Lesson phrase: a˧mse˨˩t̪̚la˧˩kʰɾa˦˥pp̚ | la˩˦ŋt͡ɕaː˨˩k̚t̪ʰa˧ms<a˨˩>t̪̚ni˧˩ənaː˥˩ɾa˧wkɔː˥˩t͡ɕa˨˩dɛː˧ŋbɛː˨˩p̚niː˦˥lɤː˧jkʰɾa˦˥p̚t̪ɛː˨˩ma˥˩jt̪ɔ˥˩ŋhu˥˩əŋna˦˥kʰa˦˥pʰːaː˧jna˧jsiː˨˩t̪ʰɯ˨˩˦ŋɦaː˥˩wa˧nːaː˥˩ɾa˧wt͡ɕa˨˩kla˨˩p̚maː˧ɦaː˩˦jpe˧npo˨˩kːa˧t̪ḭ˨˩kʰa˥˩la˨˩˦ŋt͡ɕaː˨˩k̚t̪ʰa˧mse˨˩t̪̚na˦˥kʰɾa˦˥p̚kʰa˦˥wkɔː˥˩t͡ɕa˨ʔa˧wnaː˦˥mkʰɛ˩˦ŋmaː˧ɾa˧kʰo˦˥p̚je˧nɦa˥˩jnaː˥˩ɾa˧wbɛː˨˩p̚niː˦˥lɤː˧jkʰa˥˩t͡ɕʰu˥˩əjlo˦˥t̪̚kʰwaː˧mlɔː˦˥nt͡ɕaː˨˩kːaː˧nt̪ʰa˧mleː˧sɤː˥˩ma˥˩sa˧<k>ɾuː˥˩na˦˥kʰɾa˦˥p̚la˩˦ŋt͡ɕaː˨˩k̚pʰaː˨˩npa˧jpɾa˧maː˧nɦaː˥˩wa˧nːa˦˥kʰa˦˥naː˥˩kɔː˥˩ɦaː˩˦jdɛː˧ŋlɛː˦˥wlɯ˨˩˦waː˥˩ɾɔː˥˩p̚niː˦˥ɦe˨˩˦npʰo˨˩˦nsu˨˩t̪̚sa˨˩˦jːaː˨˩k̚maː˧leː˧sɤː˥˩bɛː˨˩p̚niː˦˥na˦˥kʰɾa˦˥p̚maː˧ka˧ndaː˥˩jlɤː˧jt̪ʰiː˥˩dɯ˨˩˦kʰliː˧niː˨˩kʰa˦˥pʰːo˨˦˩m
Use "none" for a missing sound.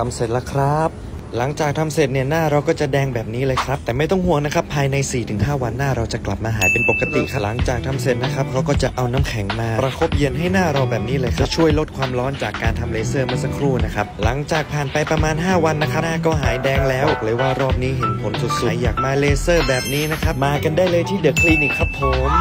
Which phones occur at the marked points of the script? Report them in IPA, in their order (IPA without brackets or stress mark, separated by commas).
e˨˩, kʰ